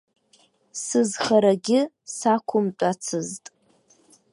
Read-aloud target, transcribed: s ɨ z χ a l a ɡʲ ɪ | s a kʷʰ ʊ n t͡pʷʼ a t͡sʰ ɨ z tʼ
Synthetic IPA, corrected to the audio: s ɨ z χ a ɾ a ɡʲ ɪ | s a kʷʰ ʊ m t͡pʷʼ a t͡sʰ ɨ z tʼ